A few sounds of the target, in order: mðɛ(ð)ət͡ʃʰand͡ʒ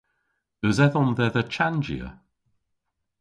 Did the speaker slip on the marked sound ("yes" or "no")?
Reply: no